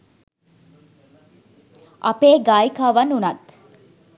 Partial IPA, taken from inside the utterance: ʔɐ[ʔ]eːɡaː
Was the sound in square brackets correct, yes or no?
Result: no